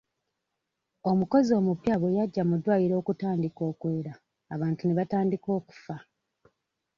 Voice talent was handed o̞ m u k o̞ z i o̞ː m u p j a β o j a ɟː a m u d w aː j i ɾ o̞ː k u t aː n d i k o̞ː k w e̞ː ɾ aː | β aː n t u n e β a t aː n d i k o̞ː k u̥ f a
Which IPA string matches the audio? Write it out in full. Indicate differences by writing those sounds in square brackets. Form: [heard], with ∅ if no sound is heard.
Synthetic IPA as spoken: o̞ m u k o̞ z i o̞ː m u p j a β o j a ɟː a m u d w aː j i ɾ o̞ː k u t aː n d i k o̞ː k w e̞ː ɾ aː | β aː n t u n e β a t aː n d i k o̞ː k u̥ f a